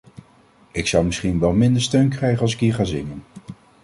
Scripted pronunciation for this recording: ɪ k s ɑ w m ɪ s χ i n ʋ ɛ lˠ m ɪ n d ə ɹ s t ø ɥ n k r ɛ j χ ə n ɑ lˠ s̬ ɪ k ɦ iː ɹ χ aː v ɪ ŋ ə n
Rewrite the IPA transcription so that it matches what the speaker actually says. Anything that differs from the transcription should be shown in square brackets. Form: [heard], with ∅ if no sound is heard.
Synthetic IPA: ɪ k s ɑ w m ɪ s χ i n ʋ ɛ lˠ m ɪ n d ə ɹ s t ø ɥ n k r ɛ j χ ə n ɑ lˠ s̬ ɪ k ɦ iː ɹ χ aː [z] ɪ ŋ ə n